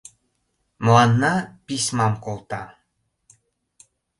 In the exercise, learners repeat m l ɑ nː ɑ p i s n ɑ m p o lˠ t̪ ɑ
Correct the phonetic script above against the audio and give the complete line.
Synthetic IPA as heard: m l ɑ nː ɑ p i s m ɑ m k o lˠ t̪ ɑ

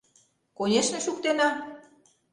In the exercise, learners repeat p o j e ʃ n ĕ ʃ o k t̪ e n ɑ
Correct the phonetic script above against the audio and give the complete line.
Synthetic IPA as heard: k o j e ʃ n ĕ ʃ u k t̪ e n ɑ

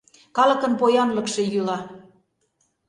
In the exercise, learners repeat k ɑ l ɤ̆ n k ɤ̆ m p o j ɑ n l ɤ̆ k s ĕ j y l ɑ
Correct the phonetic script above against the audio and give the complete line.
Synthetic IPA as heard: k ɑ l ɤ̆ k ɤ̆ n p o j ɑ n l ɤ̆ k ʃ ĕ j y l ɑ

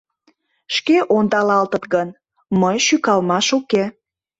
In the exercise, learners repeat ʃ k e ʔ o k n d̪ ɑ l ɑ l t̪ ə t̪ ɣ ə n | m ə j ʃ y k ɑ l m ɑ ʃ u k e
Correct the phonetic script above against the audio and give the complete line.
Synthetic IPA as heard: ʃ k e ʔ o n d̪ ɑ l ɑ l t̪ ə t̪ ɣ ə n | m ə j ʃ y k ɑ l m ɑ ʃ u k e

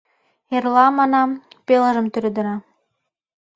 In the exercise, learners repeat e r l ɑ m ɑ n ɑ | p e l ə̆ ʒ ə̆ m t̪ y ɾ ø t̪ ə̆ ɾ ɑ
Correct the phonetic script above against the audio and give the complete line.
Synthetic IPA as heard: e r l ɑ m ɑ n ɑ | p e l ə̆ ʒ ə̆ m t̪ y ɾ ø d̪ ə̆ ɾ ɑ

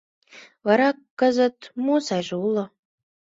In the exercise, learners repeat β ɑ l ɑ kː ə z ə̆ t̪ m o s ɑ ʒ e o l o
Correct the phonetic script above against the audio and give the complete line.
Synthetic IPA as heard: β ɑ ɾ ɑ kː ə z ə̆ t̪ m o s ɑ ʒ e u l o

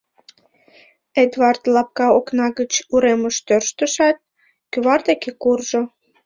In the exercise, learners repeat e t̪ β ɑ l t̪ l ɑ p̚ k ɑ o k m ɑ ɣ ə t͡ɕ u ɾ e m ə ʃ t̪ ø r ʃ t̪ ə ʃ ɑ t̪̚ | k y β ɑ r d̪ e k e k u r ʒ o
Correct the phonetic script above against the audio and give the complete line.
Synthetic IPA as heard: e d̪ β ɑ r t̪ l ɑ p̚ k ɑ o k n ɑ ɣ ə t͡ɕ u ɾ e m ə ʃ t̪ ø r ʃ t̪ ə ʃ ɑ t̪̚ | k y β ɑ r d̪ e k e k u r ʒ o

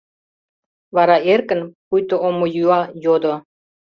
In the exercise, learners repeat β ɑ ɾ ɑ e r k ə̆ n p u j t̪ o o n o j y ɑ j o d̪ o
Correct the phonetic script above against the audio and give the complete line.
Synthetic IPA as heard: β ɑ ɾ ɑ e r k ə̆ n p u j t̪ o o m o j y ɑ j o d̪ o

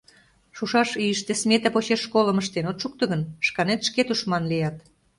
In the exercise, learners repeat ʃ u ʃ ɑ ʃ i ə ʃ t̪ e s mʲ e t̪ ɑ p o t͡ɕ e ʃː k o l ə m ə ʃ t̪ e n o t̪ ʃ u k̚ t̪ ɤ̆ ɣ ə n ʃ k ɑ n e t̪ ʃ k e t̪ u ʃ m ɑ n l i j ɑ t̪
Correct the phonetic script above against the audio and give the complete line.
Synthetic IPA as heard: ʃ u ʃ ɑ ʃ i ə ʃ t̪ e s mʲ e t̪ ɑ p o t͡ɕ e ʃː k o l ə m ə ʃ t̪ e n o t̪ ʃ u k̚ t̪ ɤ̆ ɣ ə n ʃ k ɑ n e t̪ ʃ k e t̪ u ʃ m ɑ n l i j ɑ t̪

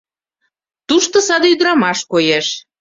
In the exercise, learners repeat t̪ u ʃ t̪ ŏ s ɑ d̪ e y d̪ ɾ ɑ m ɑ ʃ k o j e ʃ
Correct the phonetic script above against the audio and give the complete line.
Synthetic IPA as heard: t̪ u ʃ t̪ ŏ s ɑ d̪ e y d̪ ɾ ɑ m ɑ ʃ k o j e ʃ

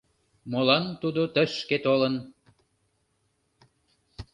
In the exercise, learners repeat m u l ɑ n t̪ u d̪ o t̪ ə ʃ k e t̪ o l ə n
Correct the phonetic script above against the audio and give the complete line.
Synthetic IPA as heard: m o l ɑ n t̪ u d̪ o t̪ ə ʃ k e t̪ o l ə n

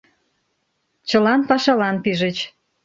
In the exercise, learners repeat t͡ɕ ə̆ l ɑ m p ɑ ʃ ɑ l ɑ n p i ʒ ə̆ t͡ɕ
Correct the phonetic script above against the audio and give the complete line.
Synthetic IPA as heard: t͡ɕ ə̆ l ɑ n p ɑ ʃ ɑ l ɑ n p i ʒ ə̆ t͡ɕ

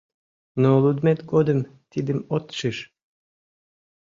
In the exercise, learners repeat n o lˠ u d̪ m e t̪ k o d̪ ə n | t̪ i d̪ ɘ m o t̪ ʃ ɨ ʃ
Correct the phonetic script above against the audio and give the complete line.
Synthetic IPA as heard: n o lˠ u d̪ m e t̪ ɡ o d̪ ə m | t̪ i d̪ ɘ m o t̪ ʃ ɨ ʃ

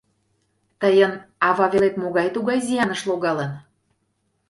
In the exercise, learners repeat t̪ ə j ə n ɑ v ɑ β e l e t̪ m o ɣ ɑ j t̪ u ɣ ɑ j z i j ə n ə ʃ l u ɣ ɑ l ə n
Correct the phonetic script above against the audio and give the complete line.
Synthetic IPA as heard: t̪ ə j ə n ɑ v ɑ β e l e t̪ m o ɣ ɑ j t̪ u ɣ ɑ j z i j ɑ n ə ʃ l o ɣ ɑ l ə n

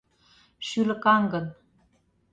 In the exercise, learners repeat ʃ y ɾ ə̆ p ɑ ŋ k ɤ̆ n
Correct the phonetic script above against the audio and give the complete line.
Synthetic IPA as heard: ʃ y l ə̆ k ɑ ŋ ɡ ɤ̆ n

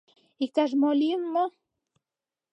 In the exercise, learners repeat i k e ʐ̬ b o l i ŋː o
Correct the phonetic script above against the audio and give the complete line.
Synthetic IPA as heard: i k a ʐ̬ m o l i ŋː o

